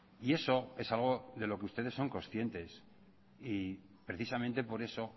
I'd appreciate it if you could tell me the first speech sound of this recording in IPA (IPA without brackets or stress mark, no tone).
i